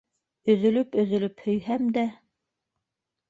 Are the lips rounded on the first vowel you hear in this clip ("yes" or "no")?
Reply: yes